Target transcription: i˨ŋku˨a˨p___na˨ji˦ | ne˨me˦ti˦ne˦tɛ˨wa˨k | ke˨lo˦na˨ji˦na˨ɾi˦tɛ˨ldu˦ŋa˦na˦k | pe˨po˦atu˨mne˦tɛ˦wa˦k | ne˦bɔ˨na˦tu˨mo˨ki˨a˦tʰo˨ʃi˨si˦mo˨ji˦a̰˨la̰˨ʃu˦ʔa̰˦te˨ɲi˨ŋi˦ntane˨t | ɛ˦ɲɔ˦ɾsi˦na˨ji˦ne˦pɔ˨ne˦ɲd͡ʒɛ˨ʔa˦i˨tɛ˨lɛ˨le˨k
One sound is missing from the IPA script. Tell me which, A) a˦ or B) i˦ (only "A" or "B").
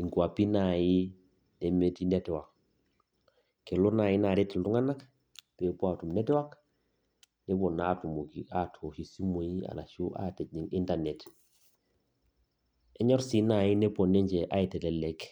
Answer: B